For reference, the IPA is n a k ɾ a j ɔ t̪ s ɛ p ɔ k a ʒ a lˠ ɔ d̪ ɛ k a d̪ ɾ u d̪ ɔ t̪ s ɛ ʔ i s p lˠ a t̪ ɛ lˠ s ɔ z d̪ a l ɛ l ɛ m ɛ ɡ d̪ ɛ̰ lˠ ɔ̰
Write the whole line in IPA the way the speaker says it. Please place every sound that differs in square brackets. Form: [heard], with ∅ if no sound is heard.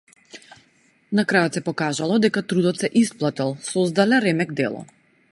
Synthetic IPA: n a k ɾ a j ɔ t̪ s ɛ p ɔ k a ʒ a lˠ ɔ d̪ ɛ k a [t̪] ɾ u d̪ ɔ t̪ s ɛ ʔ i s p lˠ a t̪ ɛ lˠ s ɔ z d̪ a l ɛ [ɾ] ɛ m ɛ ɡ d̪ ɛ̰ lˠ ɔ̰